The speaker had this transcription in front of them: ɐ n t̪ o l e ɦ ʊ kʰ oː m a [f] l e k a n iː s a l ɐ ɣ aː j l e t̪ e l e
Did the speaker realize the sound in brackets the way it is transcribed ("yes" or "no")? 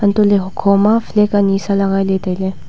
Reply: yes